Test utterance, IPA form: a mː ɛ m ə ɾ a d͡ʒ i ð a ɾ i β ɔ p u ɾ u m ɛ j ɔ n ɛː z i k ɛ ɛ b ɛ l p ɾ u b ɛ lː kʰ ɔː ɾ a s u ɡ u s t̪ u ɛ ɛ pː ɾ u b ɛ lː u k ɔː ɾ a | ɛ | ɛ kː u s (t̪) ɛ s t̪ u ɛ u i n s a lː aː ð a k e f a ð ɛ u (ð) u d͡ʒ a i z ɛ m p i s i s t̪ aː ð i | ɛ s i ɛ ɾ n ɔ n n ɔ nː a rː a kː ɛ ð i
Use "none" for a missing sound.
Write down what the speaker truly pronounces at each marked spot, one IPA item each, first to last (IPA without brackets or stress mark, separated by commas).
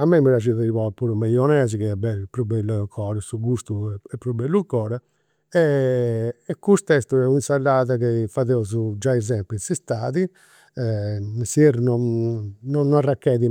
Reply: t̪, z